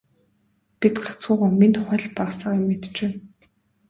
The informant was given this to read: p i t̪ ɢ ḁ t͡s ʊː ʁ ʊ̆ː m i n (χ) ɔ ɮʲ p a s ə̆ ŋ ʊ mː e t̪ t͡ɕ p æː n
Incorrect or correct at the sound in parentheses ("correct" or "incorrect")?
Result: correct